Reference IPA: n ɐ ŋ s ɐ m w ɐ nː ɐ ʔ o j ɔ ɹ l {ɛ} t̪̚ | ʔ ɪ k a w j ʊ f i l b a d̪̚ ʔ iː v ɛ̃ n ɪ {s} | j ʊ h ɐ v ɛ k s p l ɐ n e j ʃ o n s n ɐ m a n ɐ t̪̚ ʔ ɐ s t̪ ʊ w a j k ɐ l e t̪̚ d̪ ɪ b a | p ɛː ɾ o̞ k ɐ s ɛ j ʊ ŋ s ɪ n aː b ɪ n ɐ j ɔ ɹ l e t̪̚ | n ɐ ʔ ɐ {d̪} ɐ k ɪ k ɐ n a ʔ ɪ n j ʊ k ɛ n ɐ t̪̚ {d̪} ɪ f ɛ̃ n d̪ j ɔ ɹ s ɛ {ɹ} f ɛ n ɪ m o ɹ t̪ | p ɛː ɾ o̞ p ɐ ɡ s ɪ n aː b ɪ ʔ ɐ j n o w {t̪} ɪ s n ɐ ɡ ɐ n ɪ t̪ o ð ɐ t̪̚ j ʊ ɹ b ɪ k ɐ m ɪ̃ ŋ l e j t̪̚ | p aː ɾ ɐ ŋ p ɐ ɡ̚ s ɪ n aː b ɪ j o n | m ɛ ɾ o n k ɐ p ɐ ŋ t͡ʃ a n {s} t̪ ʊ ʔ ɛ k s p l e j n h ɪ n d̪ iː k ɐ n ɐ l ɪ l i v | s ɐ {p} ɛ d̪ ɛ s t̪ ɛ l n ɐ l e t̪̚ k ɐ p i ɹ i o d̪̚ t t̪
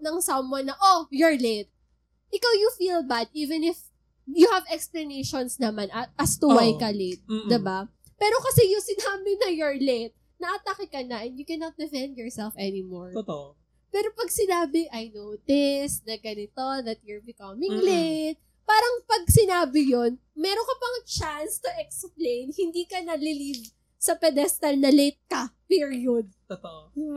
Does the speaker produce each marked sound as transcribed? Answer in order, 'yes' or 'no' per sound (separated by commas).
no, no, no, yes, no, yes, yes, yes